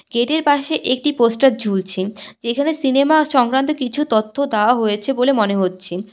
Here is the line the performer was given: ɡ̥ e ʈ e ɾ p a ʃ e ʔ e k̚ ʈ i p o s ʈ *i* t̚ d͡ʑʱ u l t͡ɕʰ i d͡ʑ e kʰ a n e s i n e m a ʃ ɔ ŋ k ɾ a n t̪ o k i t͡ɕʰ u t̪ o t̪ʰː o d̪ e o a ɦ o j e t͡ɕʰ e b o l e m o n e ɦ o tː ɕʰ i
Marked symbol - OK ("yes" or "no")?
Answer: no